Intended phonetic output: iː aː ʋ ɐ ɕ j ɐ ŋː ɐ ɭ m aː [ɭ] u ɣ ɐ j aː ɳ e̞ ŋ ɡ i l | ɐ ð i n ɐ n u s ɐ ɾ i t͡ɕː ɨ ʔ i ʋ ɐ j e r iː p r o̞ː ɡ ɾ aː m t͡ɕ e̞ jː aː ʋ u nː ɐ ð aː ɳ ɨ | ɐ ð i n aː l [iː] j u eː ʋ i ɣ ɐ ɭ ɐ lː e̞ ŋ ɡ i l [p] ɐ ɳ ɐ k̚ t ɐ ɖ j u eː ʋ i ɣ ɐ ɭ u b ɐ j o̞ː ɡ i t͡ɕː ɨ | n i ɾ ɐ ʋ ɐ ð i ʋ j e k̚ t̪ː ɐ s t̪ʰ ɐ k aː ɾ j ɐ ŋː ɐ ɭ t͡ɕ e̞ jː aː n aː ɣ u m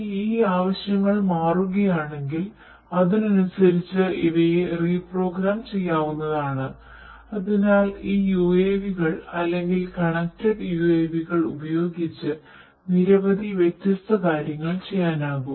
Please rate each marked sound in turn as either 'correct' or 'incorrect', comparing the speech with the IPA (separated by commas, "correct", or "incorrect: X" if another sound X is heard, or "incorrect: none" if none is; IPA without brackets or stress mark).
incorrect: r, correct, incorrect: k